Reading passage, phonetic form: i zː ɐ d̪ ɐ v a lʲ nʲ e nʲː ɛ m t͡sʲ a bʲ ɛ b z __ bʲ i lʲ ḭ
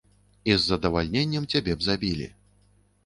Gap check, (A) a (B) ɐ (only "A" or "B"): A